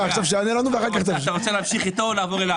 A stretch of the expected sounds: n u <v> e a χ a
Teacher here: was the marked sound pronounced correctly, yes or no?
yes